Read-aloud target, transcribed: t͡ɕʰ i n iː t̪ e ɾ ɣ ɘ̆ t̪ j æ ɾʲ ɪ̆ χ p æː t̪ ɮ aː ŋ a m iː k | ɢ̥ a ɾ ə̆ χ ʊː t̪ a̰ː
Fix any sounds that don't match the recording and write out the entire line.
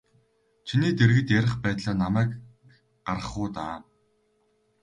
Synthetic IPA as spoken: t͡ɕʰ i n iː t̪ e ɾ ɣ ɘ̆ t̪ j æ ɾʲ ɪ̆ χ p æː t̪ ɮ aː n a m æː k | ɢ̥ a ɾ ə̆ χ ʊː t̪ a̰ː